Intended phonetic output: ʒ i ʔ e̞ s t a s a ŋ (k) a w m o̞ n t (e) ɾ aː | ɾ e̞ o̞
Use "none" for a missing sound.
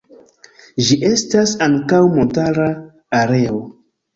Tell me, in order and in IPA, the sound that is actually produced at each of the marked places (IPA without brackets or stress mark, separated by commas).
k, a